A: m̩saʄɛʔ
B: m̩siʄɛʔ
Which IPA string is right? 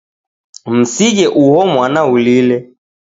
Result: B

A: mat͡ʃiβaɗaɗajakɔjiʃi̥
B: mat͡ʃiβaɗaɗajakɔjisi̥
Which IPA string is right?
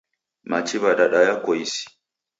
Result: B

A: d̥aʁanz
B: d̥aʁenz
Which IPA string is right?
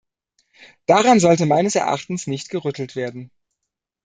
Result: A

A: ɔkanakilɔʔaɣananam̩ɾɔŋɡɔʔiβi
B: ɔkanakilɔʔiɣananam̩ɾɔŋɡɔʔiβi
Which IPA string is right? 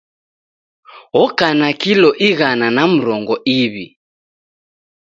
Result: B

